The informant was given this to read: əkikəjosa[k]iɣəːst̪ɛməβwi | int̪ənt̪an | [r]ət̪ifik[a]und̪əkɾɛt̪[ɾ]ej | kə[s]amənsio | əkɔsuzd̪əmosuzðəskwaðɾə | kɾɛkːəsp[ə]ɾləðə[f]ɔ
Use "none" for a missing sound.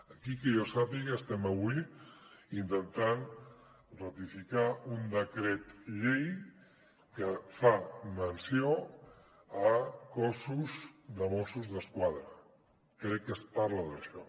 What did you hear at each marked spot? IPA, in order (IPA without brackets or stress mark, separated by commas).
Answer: p, r, a, ʎ, f, a, ʃ